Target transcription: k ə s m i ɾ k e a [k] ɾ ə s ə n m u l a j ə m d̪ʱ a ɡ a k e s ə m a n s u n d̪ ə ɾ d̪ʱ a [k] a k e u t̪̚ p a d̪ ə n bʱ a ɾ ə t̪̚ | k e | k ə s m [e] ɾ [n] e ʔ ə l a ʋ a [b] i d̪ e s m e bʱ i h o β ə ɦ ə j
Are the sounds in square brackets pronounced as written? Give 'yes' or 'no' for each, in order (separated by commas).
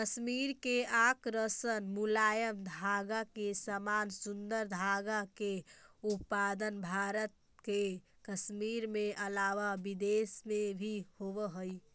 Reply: yes, no, no, no, yes